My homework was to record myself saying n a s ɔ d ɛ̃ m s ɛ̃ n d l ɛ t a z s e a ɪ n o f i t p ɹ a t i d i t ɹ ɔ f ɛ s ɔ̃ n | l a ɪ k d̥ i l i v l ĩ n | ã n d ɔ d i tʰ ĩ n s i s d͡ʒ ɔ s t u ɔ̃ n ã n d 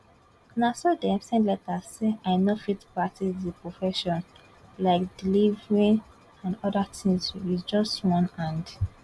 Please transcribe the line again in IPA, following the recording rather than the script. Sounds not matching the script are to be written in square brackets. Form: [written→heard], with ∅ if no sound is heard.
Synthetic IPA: n a s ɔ d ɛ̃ m s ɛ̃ n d l ɛ t a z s e a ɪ n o f i t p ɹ a t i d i [t→p] ɹ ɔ f ɛ [s→ʃ] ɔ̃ n | l a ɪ k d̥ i l i v [l→ɹ] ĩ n | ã n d ɔ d [i→a] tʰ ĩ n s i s d͡ʒ ɔ s t [u→w] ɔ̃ n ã n d